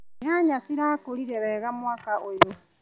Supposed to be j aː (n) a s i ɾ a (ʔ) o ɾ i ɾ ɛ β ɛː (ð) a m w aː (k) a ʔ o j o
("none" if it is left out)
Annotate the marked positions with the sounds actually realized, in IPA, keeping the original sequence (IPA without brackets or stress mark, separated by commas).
ɲ, k, ɣ, k